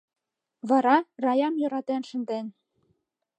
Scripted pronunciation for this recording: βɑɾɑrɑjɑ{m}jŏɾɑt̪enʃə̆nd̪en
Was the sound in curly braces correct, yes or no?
yes